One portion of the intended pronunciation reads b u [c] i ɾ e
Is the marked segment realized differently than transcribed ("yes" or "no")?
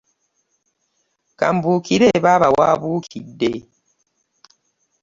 yes